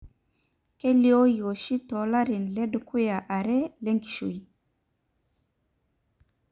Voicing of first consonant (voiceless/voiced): voiceless